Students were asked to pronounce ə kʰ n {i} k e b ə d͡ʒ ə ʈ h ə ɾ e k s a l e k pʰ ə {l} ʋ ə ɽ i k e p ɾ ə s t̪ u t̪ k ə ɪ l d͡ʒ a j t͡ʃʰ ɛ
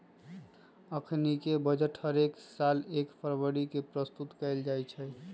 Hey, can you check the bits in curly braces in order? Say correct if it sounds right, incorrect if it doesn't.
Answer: correct, incorrect

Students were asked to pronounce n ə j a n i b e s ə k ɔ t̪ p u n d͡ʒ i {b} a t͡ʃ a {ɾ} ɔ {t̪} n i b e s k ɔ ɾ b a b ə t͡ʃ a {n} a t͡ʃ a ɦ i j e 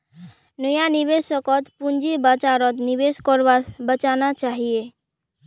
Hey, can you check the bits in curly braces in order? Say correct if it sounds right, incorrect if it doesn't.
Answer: correct, correct, correct, correct

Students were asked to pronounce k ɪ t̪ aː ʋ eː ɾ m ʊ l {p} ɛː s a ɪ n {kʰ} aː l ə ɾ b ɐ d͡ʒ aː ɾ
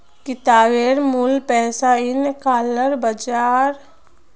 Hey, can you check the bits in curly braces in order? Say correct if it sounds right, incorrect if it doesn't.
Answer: correct, incorrect

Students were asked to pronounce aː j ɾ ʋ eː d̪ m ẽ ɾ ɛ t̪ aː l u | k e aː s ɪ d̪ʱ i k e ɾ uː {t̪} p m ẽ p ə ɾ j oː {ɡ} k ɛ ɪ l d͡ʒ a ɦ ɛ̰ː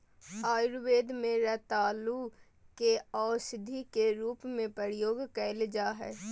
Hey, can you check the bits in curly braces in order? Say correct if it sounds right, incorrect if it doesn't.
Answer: incorrect, correct

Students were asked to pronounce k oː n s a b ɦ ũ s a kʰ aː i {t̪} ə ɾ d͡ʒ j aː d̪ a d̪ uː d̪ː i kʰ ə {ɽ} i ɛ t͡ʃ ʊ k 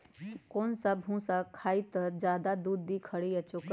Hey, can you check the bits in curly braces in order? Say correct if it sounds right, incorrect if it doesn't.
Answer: correct, correct

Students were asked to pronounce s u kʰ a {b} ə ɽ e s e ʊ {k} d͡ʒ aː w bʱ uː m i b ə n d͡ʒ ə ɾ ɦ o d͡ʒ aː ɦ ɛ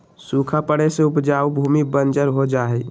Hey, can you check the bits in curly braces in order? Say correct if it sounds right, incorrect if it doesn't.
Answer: incorrect, incorrect

